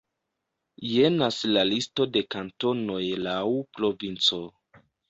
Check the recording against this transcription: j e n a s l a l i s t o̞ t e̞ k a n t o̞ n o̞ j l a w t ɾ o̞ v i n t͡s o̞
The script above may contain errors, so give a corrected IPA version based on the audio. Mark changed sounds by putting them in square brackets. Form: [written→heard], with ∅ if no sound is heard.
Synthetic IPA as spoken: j e n a s l a l i s t o̞ [t→d] e̞ k a n t o̞ n o̞ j l a w [t→p] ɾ o̞ v i n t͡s o̞